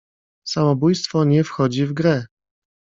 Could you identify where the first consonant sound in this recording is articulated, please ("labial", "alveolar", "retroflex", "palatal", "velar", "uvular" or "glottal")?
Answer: alveolar